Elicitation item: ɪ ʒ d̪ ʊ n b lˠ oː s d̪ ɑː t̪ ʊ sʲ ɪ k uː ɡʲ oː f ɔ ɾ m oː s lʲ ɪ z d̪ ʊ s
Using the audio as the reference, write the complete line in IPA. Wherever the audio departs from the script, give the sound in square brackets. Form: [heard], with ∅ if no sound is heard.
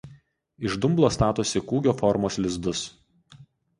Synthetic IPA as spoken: ɪ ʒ d̪ ʊ [m] b lˠ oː s [t̪] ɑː t̪ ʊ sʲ ɪ k uː ɡʲ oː f ɔ ɾ m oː s lʲ ɪ z d̪ ʊ s